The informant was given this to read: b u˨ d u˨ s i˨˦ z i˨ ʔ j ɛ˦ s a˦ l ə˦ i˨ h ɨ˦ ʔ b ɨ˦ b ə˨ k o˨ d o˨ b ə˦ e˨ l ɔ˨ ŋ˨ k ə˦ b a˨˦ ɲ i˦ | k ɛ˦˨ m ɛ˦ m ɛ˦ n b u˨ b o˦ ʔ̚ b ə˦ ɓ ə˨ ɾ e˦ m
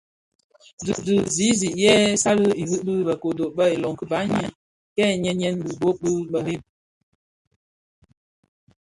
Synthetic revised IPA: d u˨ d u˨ z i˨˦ z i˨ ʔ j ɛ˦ s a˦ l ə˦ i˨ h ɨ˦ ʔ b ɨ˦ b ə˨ k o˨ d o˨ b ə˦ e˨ l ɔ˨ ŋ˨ k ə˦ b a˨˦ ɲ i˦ | k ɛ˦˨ ɲ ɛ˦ ɲ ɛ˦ n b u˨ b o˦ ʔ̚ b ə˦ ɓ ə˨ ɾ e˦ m